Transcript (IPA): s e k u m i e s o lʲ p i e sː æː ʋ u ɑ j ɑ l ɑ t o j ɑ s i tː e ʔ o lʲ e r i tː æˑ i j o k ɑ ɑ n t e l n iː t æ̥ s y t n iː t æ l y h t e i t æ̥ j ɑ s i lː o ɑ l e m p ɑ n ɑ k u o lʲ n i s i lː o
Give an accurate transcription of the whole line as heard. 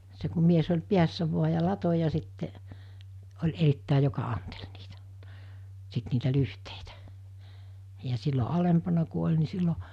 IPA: s e k u m i e s o lʲ p i æ sː æ ʋ u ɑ j ɑ l ɑ t o j ɑ s i tː e ʔ o lʲ e r i tː æˑ i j o k ɑ ɑ n t e l n iː t æ̥ s i t n iː t æ l y h t e i t æ̥ j ɑ s i lː o ɑ l e m p ɑ n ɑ k u o lʲ n i s i lː o

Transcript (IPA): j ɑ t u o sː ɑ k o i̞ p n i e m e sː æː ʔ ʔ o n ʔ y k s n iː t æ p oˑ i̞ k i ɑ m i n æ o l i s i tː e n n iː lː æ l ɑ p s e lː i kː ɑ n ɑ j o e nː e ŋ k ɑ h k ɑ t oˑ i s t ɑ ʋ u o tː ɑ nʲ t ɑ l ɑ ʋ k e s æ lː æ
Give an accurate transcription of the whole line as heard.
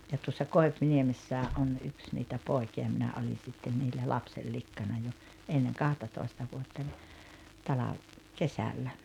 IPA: j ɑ t u o sː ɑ k o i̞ p n i e m e sː æː ʔ ʔ o n ʔ y k s n iː t æ p oˑ i̞ k i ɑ m i n æ o l i s i tː e n n iː lː æ l ɑ p s e lː i kː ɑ n ɑ j o e nː e ŋ k ɑ h t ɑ t oˑ i s t ɑ ʋ u o tː ɑ nʲ t ɑ l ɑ ʋ k e s æ lː æ

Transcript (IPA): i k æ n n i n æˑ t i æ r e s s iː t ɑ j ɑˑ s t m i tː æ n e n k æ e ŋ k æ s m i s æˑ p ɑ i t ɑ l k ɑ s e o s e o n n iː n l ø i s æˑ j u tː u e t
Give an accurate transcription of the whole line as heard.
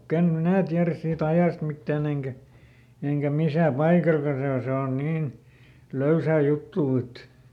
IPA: i k æ n m i n æˑ t i æ r æ s s iː t ɑ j ɑˑ s t m i tː æː n e ŋ k æ e ŋ k æ m i s æˑ p ɑ i k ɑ l k ɑ s e o s e o n n iː n l ø y s æˑ j u tː uː e t

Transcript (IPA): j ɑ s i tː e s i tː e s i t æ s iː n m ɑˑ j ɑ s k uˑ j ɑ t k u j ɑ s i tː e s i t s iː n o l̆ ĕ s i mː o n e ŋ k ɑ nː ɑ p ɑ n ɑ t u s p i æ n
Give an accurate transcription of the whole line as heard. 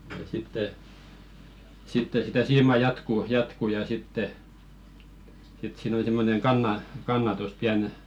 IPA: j ɑ s i tː e s i tː e s i t æ s iː m ɑˑ j ɑ t k uˑ j ɑ t k u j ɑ s i tː e s i t s iː n o l̆ ĭ s i mː o n e ŋ k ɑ nː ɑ k ɑ nː ɑ t u s p i æ n

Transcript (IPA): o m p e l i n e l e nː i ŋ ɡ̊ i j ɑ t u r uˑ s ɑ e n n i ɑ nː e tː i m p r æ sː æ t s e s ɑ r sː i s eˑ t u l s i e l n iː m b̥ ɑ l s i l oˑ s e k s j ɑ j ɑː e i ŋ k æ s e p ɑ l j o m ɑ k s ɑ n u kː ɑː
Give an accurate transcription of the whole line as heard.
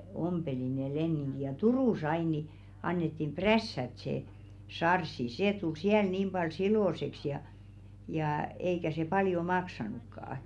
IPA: o m p e l i n e l e nː i ŋ ɡ̊ i j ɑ t u r uˑ s ɑ i n n i ɑ nː e tː i m p r æ sː æ t s e s ɑ r sː i s eˑ t u l s i æ l n iː m b̥ ɑ l s i l oˑ s e k s j ɑ j ɑː e i k æ s e p ɑ l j o m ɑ k s ɑ n u kː ɑː

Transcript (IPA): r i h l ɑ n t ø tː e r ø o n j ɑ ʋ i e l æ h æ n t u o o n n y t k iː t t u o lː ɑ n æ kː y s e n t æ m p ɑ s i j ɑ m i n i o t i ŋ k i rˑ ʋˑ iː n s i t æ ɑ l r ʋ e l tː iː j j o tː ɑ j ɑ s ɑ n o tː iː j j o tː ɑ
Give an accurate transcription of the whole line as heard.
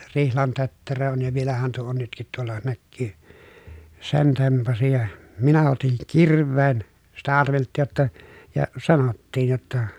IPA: r i h l ɑ n t ø tː e r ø o n j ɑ ʋ i e l æ h æ n t u o o n n y t k i t t u o lː ɑ n æ kː yː s e n t e m p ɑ s i j ɑ m i n æ o t i ŋ k i rˑ ʋˑ eː n s i t æ ɑ r ʋ e l tː iː j j o tː ɑ j ɑ s ɑ n o tː iː j j o tː ɑ

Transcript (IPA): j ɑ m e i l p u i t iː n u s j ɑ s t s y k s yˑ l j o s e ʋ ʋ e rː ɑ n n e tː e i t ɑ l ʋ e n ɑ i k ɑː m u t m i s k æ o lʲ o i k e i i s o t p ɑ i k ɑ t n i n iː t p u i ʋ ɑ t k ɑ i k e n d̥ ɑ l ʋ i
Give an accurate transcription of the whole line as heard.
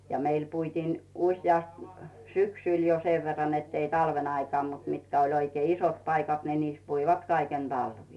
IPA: j ɑ m e i l p u i t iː n u s j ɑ s t s y k s yˑ l j o s e ʋ ʋ e rː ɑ n n e tː e i t ɑ l ʋ e n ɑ i k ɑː m u t m i t k æ o lʲ o i k e i i s o t p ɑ i k ɑ t n i n iː s p u i ʋ ɑ t k ɑ i k e n d̥ ɑ l ʋ iː

